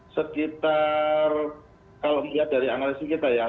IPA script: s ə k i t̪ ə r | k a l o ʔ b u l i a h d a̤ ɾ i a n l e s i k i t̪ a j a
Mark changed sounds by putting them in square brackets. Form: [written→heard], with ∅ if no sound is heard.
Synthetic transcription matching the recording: s ə k i t̪ [ə→a] r | k a l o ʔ [b→m] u l i a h d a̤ ɾ i a [n→ŋ] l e s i k i t̪ a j a

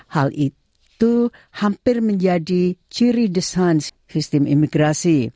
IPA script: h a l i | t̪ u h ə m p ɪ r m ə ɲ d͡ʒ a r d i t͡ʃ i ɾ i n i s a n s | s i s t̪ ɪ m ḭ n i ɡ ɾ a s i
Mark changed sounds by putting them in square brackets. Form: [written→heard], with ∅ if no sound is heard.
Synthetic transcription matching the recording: h a l i | t̪ u h [ə→a] m p ɪ r m ə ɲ d͡ʒ a [r→∅] d i t͡ʃ i ɾ i [n→d] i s a n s | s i s t̪ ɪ m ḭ [n→m] i ɡ ɾ a s i

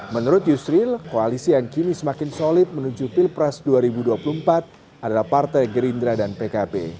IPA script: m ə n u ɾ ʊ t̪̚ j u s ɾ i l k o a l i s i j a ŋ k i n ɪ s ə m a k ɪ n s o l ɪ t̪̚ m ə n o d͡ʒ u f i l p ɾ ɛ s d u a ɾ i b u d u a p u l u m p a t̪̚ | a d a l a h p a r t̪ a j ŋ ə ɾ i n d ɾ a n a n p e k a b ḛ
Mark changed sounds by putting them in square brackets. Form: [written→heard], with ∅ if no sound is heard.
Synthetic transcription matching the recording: m ə n u ɾ ʊ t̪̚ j u s ɾ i l k o a l i s i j a ŋ k i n [ɪ→i] s ə m a k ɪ n s o l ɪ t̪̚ m ə n [o→u] d͡ʒ u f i l p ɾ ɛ s d u a ɾ i b u d u a p u l u m p a t̪̚ | a d a l a h p a r t̪ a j [ŋ→ɡ] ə ɾ i n d ɾ a [n→d] a n p e k a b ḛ

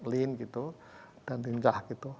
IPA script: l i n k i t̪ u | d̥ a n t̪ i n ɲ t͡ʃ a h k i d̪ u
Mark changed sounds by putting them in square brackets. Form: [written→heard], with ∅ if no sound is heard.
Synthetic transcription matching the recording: l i n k i t̪ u | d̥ a n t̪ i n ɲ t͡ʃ a h k i [d̪→t̪] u

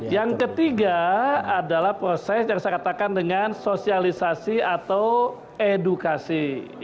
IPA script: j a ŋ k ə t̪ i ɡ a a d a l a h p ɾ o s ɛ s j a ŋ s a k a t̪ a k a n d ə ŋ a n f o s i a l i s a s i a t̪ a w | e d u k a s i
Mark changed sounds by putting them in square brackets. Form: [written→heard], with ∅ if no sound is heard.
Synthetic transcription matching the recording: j a ŋ k ə t̪ i ɡ a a d a l a h p ɾ o s ɛ s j a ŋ s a k a t̪ a k a n d ə ŋ a n [f→s] o s i a l i s a s i a t̪ a w | e d u k a s i

